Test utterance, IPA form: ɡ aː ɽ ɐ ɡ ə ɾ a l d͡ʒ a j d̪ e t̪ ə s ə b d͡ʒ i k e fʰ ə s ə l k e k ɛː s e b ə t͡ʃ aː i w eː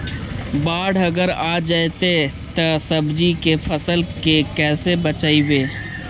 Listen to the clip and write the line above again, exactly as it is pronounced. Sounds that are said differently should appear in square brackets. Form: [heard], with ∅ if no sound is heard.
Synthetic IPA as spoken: [b] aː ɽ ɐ ɡ ə ɾ a [∅] d͡ʒ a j [t̪] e t̪ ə s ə b d͡ʒ i k e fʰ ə s ə l k e k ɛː s e b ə t͡ʃ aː i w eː